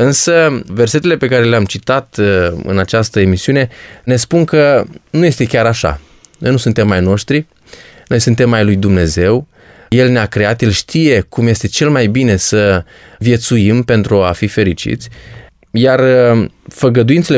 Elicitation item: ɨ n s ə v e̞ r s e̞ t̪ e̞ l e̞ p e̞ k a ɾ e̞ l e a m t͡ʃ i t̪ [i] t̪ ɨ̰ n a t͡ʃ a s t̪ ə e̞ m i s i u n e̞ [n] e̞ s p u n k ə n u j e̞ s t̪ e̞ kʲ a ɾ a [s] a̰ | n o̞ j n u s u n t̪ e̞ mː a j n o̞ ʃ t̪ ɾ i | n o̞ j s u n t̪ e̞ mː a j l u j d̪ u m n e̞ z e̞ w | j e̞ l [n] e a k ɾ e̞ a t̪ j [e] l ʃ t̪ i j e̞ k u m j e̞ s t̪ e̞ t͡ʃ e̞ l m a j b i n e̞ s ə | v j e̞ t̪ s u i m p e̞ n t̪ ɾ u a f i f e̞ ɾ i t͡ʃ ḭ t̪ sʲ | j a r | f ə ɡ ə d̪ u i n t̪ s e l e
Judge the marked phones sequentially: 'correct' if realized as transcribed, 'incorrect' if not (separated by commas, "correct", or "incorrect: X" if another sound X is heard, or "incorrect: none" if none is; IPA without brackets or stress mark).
incorrect: a, correct, incorrect: ʃ, correct, correct